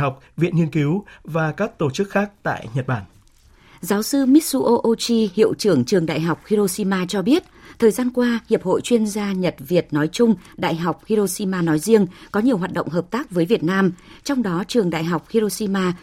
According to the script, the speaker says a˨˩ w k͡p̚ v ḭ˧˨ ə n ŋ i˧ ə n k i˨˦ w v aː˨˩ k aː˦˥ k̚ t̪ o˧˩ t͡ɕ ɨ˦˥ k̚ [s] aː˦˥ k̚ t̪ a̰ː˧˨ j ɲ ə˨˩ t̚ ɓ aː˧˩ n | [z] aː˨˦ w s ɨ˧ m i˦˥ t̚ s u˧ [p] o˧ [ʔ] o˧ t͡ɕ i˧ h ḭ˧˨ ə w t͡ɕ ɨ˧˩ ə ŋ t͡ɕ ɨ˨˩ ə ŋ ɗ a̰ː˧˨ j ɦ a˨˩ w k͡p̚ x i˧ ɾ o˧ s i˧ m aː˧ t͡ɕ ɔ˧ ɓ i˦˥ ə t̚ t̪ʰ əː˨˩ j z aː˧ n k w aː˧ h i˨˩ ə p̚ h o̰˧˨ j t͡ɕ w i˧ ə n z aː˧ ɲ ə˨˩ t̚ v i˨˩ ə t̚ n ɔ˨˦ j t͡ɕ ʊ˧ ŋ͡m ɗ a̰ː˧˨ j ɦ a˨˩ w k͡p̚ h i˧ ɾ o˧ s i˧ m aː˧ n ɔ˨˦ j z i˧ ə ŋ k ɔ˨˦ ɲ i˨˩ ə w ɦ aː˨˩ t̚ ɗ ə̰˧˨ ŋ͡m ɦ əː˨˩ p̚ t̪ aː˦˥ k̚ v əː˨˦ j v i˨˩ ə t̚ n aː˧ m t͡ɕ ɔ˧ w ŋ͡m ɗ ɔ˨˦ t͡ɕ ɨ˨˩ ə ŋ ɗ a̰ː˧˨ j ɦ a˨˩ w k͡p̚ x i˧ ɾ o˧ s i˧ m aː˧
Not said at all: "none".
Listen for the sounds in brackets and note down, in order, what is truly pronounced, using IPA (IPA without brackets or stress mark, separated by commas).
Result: x, z, ʔ, ʔ